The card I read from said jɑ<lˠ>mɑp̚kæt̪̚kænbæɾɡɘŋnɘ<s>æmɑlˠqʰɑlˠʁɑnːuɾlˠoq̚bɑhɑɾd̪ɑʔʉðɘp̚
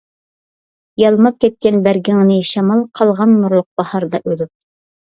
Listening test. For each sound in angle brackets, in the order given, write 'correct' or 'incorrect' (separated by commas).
correct, incorrect